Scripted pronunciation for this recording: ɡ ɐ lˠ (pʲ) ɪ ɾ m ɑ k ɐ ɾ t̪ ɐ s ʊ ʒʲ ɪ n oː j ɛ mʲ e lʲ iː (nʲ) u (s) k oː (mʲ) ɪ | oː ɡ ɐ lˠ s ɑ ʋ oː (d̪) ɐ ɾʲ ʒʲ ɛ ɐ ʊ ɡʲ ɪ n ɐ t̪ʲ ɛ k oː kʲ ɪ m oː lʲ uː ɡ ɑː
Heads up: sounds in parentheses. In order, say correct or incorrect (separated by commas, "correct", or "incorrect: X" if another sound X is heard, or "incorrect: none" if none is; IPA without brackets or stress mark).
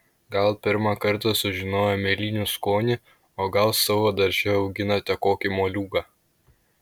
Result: correct, correct, correct, incorrect: nʲ, correct